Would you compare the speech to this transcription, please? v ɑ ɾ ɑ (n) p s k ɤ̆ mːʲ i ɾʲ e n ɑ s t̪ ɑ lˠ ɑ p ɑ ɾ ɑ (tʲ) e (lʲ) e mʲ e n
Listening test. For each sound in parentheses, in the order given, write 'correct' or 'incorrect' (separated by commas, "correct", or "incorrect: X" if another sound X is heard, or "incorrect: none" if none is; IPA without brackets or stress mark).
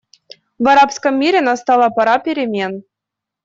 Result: incorrect: none, incorrect: pʲ, incorrect: ɾʲ